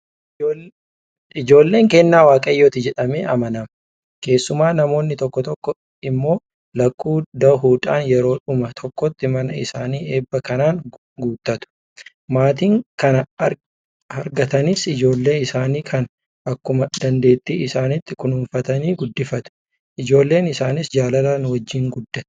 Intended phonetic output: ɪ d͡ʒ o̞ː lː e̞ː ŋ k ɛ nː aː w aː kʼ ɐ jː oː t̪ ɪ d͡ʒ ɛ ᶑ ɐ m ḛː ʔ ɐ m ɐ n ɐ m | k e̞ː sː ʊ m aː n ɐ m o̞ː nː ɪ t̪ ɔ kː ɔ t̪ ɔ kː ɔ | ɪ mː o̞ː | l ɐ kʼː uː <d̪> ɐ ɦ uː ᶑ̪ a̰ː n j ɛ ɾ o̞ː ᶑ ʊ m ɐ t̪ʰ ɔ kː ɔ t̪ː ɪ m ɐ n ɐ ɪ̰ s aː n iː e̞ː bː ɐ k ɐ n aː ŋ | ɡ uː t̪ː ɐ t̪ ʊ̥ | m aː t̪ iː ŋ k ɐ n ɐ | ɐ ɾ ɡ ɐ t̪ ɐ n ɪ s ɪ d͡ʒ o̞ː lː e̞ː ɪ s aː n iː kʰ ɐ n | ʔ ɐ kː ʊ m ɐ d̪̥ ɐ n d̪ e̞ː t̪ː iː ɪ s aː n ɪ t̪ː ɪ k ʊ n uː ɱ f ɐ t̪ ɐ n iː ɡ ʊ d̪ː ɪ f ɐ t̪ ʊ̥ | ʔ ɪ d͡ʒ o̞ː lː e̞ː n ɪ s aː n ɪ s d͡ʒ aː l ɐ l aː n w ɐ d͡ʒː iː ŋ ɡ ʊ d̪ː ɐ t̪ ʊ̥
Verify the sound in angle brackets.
correct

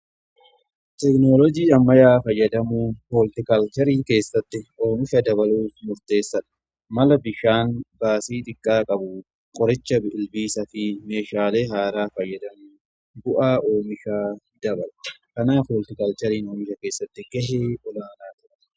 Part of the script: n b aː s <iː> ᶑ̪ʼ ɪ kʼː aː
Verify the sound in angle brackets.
correct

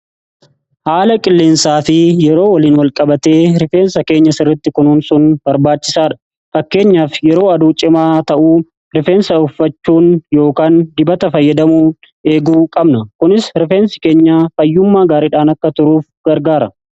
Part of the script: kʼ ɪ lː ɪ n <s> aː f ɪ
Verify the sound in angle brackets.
correct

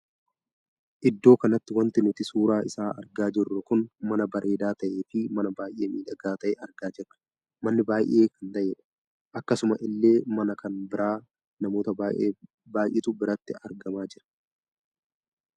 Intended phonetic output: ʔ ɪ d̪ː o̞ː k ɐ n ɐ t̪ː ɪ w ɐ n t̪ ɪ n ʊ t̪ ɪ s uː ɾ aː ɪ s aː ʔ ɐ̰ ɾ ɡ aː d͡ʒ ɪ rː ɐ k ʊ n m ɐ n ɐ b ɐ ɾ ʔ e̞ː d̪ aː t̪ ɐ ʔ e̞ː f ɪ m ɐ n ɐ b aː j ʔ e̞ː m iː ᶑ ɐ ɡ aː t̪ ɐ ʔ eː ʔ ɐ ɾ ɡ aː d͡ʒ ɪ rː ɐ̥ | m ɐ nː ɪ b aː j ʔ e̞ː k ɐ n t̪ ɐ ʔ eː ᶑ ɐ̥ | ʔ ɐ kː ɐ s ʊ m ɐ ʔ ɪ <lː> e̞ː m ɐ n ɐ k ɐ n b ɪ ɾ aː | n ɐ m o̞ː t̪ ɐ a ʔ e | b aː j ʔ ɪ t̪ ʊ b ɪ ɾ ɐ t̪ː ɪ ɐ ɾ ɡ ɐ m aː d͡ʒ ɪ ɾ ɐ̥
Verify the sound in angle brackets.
correct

